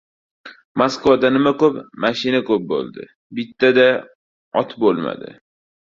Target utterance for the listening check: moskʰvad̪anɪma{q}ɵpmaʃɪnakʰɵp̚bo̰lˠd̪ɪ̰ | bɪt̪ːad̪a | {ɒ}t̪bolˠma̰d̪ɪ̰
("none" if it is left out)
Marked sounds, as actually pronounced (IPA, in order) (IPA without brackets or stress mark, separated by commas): k, ɒ